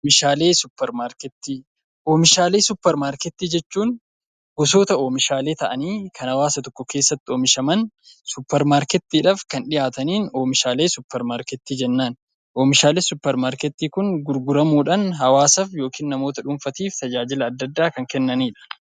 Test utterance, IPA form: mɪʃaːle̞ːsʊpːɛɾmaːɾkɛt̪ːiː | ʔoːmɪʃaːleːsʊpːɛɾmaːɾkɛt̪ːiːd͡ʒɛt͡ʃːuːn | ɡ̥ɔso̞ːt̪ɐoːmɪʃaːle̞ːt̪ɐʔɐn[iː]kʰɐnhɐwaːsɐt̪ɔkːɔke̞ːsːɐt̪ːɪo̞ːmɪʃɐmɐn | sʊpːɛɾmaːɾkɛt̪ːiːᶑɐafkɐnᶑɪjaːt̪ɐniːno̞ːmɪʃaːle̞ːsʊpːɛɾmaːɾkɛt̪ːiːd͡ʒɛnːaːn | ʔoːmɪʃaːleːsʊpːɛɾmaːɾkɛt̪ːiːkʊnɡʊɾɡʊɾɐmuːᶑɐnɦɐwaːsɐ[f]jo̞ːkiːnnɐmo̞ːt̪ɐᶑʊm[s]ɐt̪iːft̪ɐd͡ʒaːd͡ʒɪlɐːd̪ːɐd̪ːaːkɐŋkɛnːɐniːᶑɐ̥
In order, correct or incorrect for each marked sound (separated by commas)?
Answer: correct, correct, incorrect